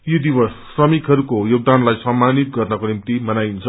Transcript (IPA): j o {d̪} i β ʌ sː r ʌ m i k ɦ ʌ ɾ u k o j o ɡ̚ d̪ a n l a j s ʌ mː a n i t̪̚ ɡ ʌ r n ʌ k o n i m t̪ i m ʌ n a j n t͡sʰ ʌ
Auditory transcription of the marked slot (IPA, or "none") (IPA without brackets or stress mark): d̪